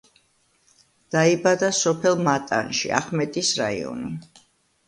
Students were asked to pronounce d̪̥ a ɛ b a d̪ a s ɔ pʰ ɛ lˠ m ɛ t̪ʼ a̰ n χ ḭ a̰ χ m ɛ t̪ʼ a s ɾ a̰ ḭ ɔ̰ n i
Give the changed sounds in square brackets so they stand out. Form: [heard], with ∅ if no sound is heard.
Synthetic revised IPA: d̪̥ a [i] b a d̪ a s ɔ pʰ ɛ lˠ m [a] t̪ʼ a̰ n [ʃ] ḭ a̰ χ m ɛ t̪ʼ [i] s ɾ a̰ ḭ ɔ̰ n i

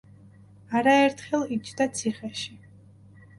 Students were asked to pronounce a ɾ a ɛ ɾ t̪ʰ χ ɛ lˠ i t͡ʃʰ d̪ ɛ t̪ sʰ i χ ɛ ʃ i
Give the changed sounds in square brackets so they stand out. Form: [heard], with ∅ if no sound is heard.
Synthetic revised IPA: a ɾ a ɛ ɾ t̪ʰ χ ɛ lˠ i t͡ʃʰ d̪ [a] t̪ sʰ i χ ɛ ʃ i

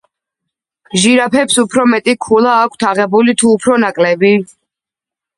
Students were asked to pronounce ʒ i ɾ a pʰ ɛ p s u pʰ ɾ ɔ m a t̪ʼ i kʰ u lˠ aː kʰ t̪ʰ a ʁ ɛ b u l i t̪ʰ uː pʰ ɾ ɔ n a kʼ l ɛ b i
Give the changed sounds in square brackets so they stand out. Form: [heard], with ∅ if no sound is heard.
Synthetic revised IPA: ʒ i ɾ a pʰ ɛ p s u pʰ ɾ ɔ m [ɛ] t̪ʼ i kʰ u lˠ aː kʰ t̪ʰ a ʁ ɛ b u l i t̪ʰ uː pʰ ɾ ɔ n a kʼ l ɛ b i

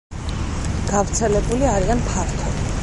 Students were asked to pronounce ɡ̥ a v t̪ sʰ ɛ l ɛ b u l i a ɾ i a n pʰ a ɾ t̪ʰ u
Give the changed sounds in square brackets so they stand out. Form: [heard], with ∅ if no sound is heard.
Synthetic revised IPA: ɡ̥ a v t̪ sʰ ɛ l ɛ b u l i a ɾ i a n pʰ a ɾ t̪ʰ [ɔ]

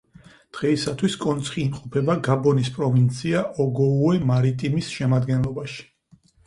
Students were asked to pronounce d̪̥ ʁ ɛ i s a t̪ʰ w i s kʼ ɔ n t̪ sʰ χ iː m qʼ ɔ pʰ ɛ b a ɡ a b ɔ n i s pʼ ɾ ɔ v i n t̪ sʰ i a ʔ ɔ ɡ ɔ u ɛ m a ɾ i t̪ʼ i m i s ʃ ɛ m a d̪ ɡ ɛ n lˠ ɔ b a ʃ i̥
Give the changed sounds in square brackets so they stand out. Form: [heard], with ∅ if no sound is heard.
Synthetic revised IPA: d̪̥ ʁ ɛ i s a t̪ʰ w i s kʼ ɔ n t̪ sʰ χ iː m qʼ ɔ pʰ ɛ b a ɡ a b ɔ n i s pʼ ɾ ɔ v i n t̪ sʰ i a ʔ ɔ ɡ ɔ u ɛ m a ɾ i t̪ʼ i m i s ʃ ɛ m a d̪ ɡ ɛ n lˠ ɔ b a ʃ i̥

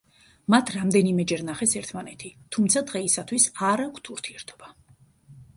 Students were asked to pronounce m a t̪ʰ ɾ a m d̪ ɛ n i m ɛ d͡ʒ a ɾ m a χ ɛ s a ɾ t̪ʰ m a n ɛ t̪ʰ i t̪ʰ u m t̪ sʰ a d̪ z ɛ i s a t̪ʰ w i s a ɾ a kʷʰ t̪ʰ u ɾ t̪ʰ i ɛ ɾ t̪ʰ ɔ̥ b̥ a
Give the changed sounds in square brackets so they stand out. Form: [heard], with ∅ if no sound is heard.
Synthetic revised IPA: m a t̪ʰ ɾ a m d̪ ɛ n i m ɛ d͡ʒ [ɛ] ɾ [n] a χ ɛ s [ɛ] ɾ t̪ʰ m a n ɛ t̪ʰ i t̪ʰ u m t̪ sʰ a d̪ [ʁ] ɛ i s a t̪ʰ w i s a ɾ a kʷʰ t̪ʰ u ɾ t̪ʰ i ɛ ɾ t̪ʰ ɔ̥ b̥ a

